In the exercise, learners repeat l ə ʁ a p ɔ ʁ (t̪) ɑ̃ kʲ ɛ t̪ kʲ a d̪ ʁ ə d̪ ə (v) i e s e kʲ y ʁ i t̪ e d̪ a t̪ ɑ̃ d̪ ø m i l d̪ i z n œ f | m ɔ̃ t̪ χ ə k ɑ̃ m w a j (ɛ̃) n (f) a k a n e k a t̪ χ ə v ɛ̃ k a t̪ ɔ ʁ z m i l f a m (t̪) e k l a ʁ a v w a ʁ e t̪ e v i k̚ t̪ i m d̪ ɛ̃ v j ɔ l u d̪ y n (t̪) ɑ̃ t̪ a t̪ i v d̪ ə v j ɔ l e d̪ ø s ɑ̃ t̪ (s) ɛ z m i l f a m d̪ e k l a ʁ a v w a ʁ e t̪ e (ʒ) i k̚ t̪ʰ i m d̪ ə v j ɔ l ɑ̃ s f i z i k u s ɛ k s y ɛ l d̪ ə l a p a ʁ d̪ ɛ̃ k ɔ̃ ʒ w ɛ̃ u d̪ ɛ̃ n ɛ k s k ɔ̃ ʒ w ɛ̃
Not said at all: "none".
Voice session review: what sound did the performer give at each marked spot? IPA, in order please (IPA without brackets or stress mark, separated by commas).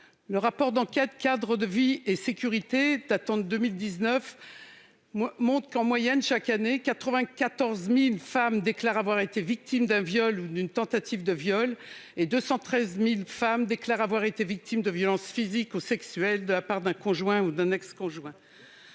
d̪, v, ɛ, ʃ, d̪, t̪, χ, v